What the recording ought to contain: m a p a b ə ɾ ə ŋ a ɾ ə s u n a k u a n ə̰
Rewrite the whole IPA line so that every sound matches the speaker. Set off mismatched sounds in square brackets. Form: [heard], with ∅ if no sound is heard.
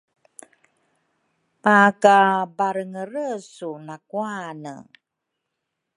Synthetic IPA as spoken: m a [k] a b [a] ɾ ə ŋ [ə] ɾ ə s u n a k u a n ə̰